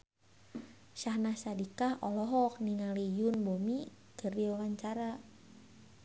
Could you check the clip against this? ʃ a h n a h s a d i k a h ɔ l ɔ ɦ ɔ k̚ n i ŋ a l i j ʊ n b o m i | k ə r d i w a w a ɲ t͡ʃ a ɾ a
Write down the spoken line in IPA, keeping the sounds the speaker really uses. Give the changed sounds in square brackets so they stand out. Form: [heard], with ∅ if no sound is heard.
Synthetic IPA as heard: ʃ a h n a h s a d i k a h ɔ l ɔ ɦ ɔ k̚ n i ŋ a l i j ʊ n b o m i | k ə r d i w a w a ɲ t͡ʃ a ɾ a